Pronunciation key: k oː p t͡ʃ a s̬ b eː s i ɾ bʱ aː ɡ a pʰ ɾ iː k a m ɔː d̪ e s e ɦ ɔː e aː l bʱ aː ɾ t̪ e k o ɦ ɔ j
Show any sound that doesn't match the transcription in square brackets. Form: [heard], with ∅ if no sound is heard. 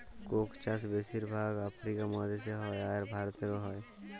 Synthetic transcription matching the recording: k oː [k] t͡ʃ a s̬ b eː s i ɾ bʱ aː ɡ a pʰ ɾ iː k a m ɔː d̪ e s e ɦ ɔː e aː [ɾ] bʱ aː ɾ t̪ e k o ɦ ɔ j